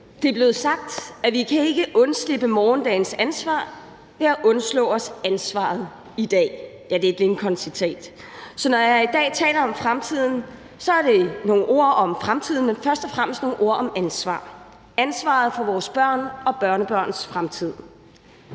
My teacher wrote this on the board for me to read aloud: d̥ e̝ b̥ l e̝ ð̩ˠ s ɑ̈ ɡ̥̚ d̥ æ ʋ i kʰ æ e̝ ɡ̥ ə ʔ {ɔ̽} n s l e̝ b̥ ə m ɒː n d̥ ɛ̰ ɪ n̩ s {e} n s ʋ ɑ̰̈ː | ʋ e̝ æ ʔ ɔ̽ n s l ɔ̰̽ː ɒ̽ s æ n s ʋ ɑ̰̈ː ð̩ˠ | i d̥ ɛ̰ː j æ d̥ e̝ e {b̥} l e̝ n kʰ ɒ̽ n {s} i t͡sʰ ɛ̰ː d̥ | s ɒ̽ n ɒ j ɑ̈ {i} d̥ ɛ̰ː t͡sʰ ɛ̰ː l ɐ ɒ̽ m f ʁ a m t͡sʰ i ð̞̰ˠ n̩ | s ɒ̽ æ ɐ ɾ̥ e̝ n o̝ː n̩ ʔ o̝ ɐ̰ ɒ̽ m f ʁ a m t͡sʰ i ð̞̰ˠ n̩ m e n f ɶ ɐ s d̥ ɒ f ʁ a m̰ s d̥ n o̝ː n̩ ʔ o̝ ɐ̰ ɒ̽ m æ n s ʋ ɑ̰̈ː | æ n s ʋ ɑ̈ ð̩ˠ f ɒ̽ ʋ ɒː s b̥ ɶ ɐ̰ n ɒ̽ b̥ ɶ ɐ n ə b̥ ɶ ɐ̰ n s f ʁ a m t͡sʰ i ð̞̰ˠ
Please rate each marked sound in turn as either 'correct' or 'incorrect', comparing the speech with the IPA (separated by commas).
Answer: correct, incorrect, incorrect, correct, correct